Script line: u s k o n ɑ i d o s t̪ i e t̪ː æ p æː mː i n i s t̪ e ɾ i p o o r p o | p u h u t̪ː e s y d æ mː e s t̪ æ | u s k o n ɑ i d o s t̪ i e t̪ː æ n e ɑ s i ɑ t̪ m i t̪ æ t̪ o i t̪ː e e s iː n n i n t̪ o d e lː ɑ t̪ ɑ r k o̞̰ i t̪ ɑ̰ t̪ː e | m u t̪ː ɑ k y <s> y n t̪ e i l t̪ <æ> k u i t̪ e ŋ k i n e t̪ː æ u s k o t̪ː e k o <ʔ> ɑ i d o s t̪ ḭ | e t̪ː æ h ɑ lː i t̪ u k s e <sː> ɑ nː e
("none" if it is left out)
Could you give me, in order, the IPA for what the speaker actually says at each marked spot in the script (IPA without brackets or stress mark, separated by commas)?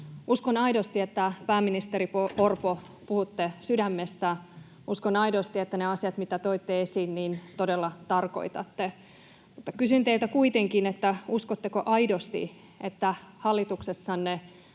s, æ, ʔ, sː